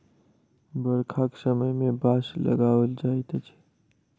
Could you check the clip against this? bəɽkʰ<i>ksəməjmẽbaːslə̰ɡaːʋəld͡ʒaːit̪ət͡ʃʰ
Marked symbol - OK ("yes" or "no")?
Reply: no